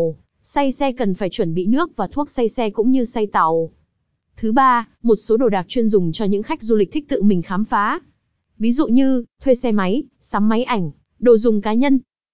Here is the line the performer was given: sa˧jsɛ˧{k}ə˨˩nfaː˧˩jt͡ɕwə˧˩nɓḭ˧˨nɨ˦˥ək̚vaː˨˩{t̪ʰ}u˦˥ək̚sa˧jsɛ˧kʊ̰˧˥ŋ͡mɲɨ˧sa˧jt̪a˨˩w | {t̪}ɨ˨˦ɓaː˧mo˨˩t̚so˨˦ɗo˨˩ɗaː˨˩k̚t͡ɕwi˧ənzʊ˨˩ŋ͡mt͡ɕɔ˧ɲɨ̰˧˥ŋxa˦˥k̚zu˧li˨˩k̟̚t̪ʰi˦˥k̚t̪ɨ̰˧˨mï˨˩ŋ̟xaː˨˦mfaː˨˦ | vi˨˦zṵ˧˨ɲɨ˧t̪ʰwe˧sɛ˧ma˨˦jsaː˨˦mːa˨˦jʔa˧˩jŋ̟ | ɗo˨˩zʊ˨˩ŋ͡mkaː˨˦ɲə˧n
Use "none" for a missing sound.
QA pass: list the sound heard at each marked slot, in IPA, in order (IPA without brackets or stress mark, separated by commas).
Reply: k, t̪ʰ, t̪ʰ